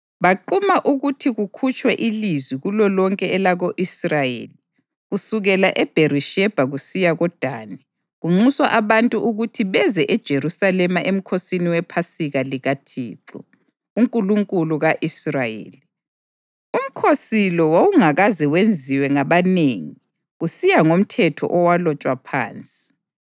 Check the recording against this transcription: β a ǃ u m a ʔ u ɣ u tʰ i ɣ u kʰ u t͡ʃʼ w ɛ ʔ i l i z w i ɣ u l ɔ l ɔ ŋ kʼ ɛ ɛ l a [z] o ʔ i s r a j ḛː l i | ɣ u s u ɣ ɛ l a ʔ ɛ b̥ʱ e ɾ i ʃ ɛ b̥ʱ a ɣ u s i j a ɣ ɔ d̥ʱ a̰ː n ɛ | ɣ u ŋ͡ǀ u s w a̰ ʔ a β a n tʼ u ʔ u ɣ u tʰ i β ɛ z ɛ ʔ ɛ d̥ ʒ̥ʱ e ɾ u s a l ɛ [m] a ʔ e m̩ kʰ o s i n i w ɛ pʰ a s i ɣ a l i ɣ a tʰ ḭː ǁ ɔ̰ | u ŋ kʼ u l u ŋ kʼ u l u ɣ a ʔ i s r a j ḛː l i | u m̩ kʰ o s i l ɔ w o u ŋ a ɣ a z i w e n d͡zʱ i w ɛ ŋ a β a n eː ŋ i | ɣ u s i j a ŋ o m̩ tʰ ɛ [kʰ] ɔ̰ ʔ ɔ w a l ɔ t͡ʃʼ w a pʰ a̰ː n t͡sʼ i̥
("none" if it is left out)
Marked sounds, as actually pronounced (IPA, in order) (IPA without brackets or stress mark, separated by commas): ɣ, m, tʰ